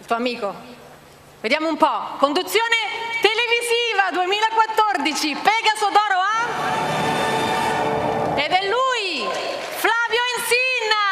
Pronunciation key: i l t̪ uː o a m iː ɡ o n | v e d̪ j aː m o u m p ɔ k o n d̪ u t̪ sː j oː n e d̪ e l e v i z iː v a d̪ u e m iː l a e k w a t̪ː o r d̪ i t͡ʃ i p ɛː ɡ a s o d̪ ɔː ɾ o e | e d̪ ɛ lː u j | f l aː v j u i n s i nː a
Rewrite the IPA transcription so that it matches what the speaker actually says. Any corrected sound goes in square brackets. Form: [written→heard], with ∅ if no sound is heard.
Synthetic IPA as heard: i l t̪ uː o a m iː [ɡ→k] o [n→∅] | v e d̪ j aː m o u m p ɔ k o n d̪ u t̪ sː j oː n e [d̪→t̪] e l e v i z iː v a d̪ u e m iː l a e k w a t̪ː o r d̪ i t͡ʃ i p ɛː ɡ a s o d̪ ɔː ɾ o [e→a] | e d̪ ɛ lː u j | f l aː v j [u→o] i n s i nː a